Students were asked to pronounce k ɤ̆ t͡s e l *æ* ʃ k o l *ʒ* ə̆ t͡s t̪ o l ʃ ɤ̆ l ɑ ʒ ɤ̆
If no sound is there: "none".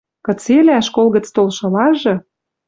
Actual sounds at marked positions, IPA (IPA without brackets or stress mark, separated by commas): æ, ɣ